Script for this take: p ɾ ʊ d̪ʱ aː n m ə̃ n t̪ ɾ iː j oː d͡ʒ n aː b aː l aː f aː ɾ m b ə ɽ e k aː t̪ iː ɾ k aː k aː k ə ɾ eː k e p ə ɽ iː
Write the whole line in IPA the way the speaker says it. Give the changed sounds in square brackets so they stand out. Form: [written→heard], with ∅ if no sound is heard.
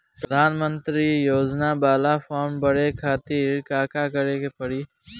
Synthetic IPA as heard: p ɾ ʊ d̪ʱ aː n m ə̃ n t̪ ɾ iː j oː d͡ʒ n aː b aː l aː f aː ɾ m b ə ɽ e [k→kʰ] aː t̪ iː ɾ k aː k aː k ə ɾ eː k e p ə ɽ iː